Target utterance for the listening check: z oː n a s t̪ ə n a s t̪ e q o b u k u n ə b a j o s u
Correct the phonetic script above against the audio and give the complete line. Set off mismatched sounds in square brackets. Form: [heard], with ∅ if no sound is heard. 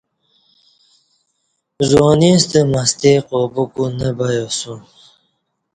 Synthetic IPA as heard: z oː n [i] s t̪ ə [m] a s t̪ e q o b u k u n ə b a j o s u

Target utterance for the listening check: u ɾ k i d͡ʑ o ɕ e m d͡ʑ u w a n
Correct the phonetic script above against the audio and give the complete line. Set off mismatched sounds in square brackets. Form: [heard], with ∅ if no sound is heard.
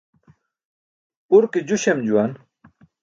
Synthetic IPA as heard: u ɾ k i d͡ʑ [u] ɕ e m d͡ʑ u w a n

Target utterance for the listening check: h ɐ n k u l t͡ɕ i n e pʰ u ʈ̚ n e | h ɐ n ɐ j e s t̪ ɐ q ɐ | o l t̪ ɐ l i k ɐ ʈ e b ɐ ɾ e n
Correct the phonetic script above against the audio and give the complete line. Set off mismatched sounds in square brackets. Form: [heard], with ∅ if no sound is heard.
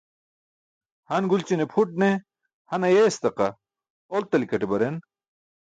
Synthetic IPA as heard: h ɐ n [ɡ] u l t͡ɕ i n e pʰ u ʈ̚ n e | h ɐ n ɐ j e s t̪ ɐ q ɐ | o l t̪ ɐ l i k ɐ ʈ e b ɐ ɾ e n

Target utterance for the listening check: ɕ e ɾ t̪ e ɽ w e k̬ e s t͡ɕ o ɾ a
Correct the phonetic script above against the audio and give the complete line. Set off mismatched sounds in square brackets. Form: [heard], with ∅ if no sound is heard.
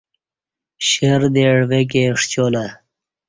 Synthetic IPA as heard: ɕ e ɾ [d̪] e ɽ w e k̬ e [ʂ] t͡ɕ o [l] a

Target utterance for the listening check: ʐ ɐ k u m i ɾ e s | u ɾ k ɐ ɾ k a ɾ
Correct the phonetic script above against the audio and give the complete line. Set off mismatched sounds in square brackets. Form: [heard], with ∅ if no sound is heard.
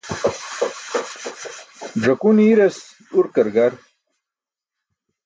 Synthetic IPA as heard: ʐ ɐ k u [n] i ɾ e s | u ɾ k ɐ ɾ [ɡ] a ɾ

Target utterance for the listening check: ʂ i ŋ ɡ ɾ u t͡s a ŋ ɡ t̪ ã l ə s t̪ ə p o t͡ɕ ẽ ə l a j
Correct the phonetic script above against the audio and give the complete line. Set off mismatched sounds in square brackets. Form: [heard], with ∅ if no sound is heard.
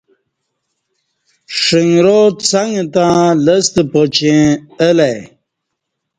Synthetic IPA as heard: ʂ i ŋ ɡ ɾ [o] t͡s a ŋ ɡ t̪ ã l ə s t̪ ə p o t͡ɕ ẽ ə l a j

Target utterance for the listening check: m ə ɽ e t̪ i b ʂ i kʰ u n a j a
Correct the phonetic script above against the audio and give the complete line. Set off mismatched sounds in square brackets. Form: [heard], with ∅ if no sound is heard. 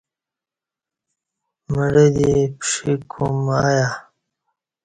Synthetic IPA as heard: m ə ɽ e [d̪] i [p] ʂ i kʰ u [m] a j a

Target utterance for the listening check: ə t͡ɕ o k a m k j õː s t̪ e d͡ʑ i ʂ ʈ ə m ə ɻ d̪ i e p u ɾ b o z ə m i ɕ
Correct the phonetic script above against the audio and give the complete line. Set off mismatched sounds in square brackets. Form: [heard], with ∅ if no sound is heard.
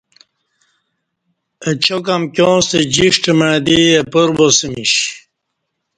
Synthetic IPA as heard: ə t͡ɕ o k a m k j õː s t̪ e d͡ʑ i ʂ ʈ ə m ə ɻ d̪ i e p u ɾ b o [s] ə m i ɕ

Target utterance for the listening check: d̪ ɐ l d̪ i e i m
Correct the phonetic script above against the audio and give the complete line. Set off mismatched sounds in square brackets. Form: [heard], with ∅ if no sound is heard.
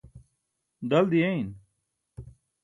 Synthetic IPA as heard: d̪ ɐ l d̪ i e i [n]

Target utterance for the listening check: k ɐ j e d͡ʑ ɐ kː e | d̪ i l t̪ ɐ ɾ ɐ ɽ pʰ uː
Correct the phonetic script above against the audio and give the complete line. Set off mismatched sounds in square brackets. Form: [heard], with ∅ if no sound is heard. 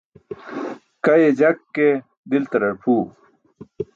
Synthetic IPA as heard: k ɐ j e d͡ʑ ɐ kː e | d̪ i l t̪ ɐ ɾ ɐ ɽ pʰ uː

